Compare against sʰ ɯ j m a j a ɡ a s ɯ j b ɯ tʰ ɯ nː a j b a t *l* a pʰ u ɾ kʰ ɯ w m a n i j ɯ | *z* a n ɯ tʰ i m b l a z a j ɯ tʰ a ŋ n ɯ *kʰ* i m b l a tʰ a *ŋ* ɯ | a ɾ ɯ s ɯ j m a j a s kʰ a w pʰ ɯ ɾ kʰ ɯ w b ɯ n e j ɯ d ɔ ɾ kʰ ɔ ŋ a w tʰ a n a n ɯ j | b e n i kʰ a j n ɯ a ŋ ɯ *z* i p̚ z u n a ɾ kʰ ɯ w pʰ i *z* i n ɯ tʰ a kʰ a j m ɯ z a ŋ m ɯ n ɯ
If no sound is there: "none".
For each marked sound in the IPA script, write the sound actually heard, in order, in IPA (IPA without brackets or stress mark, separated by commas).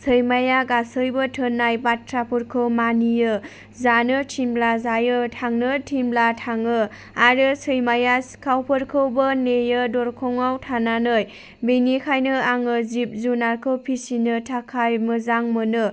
ɾ, z, tʰ, ŋ, z, s